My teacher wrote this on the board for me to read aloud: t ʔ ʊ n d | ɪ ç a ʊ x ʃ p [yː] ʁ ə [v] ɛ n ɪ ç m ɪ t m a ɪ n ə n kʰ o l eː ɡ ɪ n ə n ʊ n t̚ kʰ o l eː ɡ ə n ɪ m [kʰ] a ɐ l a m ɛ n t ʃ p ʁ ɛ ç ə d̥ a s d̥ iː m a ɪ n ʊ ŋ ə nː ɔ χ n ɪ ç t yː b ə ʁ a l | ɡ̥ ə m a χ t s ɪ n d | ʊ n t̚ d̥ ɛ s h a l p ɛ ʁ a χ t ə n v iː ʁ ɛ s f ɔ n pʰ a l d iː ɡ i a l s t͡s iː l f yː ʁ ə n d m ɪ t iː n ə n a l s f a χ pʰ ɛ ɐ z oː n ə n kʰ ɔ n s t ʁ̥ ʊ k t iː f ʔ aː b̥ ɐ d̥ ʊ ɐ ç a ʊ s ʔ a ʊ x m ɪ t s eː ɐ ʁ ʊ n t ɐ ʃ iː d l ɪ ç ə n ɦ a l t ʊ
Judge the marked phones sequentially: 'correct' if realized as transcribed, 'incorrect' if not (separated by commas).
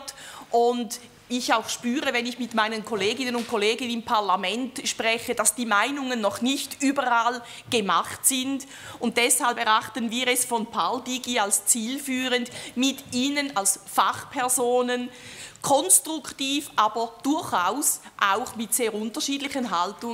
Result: correct, correct, incorrect